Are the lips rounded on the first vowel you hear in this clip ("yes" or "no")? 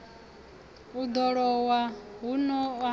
yes